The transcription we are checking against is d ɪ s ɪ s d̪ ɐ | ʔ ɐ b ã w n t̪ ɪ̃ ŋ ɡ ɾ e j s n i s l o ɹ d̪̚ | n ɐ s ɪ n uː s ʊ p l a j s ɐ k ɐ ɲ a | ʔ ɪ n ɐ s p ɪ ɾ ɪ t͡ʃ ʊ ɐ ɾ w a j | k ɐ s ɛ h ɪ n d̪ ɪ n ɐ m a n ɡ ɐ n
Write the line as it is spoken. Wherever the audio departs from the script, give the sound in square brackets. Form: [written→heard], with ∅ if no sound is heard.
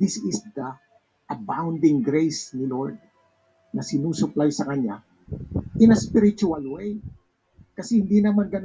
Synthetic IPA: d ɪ s ɪ s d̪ ɐ | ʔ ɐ b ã w n [t̪→d̪] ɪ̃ ŋ ɡ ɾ e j s n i [s→∅] l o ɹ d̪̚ | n ɐ s ɪ n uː s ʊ p l a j s ɐ k ɐ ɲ a | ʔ ɪ n ɐ s p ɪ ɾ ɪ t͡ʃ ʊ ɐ [ɾ→l] w [a→e] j | k ɐ s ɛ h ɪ n d̪ [ɪ→i] n ɐ m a n ɡ ɐ n